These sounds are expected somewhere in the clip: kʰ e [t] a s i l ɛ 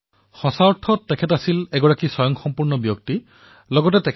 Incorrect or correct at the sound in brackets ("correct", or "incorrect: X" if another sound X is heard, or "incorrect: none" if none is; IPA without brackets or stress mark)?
correct